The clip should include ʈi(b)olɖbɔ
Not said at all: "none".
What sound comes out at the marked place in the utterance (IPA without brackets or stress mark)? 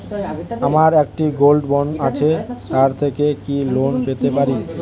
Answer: ɡ